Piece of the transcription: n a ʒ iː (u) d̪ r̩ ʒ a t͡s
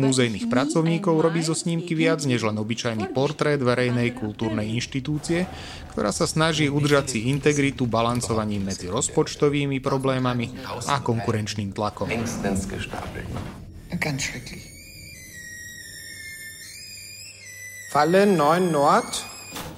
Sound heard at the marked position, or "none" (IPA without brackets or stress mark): u